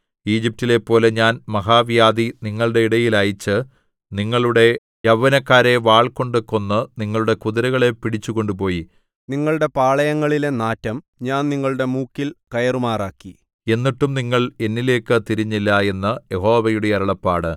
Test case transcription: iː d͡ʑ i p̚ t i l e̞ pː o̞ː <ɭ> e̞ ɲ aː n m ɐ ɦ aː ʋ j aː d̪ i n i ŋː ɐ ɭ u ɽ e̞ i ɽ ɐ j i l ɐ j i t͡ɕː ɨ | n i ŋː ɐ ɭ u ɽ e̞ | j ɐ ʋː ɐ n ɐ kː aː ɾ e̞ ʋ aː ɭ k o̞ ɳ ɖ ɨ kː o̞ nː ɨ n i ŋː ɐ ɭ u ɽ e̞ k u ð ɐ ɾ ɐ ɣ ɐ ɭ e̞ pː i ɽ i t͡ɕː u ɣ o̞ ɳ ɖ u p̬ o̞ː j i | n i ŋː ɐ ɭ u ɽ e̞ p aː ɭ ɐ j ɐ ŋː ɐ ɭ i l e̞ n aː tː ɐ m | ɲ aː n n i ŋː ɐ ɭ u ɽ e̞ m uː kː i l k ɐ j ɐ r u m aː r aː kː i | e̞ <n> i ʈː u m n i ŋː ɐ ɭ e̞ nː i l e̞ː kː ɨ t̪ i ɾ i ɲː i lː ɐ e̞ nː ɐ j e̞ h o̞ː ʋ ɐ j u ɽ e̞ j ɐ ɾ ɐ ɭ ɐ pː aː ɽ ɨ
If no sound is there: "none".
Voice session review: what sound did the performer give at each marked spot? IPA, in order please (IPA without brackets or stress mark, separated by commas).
l, nː